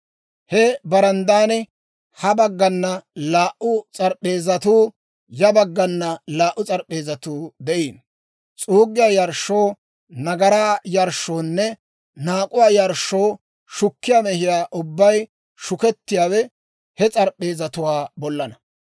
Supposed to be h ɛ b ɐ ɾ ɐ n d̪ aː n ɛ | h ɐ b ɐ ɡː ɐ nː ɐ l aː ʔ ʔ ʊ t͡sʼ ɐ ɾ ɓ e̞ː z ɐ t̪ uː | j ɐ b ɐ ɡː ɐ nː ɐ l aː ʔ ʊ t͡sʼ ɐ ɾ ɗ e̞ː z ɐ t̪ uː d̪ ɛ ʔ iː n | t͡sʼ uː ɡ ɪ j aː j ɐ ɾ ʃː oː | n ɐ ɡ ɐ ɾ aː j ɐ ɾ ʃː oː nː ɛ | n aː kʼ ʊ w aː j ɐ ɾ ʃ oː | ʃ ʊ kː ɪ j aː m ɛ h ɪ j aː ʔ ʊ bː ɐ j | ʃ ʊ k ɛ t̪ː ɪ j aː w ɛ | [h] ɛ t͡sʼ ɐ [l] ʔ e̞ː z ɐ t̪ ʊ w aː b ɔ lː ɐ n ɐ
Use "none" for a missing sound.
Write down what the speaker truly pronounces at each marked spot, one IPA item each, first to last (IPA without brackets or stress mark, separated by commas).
h, ɾ